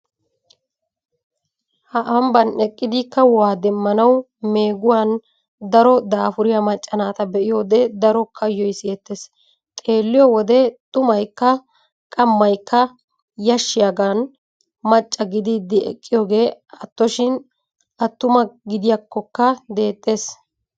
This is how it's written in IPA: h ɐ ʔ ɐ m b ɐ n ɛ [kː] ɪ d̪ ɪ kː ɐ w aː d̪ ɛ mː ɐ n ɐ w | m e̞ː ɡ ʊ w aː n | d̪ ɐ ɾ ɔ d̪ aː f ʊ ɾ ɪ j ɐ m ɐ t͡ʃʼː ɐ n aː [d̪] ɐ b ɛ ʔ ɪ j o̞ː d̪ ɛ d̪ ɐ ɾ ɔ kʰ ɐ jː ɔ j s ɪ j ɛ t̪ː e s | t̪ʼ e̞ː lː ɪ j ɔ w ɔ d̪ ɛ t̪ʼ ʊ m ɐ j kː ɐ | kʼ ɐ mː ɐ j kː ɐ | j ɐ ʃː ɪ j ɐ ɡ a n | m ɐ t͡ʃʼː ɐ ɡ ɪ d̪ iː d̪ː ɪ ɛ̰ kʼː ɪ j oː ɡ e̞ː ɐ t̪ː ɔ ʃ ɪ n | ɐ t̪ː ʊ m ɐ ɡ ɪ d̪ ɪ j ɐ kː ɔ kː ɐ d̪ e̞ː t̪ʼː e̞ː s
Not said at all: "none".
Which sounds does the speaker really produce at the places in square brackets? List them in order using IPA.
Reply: kʼː, t̪

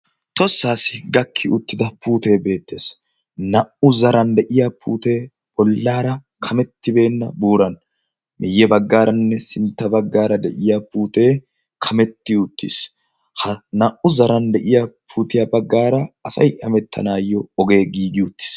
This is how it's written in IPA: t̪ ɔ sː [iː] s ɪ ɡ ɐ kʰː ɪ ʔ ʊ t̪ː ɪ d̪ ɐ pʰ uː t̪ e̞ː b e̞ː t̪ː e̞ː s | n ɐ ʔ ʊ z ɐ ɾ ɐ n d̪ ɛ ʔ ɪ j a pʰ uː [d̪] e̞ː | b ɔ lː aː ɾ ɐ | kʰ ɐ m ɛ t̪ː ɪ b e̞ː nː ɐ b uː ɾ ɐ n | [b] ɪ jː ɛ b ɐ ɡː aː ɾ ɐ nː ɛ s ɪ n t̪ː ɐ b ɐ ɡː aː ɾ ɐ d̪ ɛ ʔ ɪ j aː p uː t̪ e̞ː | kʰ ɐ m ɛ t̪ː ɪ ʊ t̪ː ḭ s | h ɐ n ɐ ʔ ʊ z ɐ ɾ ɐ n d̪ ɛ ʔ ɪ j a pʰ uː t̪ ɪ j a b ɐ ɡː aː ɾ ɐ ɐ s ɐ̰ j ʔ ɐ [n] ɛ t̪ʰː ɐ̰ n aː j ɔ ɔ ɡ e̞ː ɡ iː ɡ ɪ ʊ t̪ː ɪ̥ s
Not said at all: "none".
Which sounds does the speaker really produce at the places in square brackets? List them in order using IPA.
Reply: aː, t̪, m, m

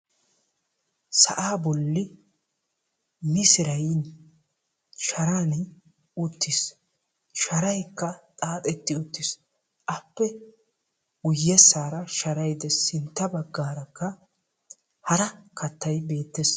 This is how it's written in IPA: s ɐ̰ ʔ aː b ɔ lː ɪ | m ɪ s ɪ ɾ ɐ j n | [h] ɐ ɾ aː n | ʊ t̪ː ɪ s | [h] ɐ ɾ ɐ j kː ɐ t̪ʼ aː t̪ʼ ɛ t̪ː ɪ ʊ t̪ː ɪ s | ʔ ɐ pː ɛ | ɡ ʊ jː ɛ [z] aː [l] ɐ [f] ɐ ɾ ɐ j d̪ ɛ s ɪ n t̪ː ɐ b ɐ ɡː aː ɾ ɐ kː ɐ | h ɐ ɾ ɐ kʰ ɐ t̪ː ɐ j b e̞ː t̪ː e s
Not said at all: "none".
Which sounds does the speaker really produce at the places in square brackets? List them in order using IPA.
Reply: ʃ, ʃ, s, ɾ, ʃ

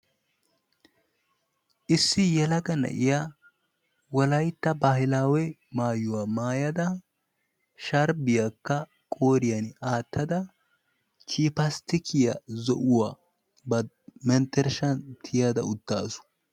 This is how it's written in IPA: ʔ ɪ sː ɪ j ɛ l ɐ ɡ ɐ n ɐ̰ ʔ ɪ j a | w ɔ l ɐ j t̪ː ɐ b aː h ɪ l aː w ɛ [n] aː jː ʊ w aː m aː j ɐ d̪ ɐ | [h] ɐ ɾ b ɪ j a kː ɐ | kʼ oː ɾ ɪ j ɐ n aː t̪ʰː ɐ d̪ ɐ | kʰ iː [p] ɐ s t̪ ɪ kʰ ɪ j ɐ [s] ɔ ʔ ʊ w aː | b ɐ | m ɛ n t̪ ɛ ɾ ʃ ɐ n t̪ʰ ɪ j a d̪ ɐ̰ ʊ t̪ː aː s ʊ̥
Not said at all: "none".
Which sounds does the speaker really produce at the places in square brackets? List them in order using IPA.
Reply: m, ʃ, p, z

